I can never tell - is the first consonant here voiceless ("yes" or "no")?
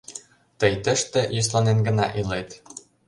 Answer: yes